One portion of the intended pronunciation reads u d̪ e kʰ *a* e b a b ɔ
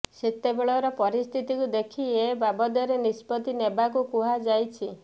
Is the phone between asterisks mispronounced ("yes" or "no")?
yes